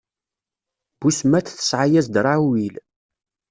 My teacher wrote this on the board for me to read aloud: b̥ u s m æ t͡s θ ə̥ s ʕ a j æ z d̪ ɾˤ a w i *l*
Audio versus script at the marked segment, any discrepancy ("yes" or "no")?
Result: no